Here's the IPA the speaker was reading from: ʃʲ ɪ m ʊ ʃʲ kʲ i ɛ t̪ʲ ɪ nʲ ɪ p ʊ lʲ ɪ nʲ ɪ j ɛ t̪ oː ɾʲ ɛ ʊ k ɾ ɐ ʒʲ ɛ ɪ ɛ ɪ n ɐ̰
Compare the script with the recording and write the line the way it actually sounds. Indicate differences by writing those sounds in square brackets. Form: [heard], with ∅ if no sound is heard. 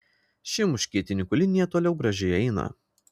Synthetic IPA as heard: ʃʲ ɪ m ʊ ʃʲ kʲ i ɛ t̪ʲ ɪ nʲ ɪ [k] ʊ lʲ ɪ nʲ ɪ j ɛ t̪ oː [lʲ] ɛ ʊ [ɡ] ɾ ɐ ʒʲ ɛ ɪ ɛ ɪ n ɐ̰